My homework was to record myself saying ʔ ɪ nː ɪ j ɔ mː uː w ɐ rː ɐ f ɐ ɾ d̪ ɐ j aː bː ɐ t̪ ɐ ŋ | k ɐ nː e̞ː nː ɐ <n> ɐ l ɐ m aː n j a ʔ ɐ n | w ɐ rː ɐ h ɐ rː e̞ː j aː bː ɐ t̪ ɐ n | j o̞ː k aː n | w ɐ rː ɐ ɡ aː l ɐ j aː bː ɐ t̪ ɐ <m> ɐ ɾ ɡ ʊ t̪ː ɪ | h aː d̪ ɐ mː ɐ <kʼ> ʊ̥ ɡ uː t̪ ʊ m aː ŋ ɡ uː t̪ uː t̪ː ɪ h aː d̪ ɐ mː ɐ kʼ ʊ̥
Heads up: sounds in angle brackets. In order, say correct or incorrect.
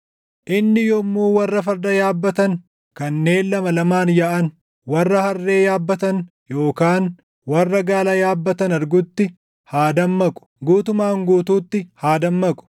incorrect: m, incorrect: n, correct

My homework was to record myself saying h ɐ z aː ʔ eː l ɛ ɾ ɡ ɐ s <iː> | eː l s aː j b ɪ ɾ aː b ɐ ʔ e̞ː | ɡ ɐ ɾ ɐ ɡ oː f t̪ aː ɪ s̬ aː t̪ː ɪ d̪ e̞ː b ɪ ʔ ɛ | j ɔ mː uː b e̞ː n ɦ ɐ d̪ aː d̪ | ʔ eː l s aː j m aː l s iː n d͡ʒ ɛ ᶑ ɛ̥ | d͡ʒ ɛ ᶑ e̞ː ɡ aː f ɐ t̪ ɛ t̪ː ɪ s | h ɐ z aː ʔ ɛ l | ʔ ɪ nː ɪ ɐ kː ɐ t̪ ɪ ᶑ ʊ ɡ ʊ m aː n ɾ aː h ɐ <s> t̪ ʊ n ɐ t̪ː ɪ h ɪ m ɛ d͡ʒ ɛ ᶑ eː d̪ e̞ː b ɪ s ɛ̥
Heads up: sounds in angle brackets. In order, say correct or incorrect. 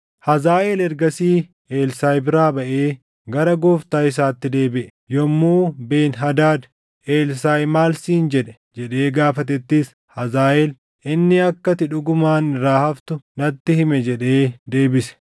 correct, incorrect: f

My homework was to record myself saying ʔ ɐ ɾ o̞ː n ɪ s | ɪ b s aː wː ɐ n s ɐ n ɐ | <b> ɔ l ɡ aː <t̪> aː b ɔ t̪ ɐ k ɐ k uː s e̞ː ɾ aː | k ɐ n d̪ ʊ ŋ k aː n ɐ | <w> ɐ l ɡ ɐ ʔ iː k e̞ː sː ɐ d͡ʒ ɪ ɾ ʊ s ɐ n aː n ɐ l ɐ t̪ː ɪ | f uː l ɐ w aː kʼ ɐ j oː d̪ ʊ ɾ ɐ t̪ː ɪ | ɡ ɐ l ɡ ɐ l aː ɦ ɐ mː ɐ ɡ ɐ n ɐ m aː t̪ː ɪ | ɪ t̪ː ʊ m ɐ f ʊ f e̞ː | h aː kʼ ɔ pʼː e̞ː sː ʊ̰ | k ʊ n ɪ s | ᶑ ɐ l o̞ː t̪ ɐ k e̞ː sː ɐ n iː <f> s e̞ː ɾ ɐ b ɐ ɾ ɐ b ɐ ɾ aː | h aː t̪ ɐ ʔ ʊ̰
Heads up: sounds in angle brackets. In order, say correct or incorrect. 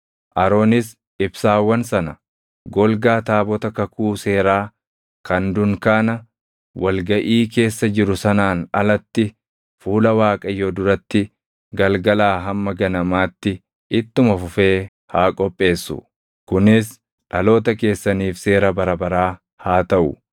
incorrect: ɡ, correct, correct, correct

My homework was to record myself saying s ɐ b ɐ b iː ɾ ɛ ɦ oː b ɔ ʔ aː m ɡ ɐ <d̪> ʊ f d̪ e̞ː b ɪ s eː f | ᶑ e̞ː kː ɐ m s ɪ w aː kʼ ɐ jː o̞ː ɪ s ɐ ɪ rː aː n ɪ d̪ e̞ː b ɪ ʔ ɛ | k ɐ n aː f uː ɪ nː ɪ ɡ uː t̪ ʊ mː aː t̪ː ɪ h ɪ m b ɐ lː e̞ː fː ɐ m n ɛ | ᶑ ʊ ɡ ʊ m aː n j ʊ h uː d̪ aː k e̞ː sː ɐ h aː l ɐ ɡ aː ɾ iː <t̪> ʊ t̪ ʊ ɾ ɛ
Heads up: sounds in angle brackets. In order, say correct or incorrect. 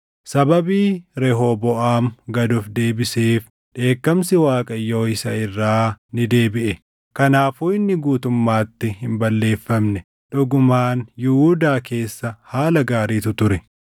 correct, correct

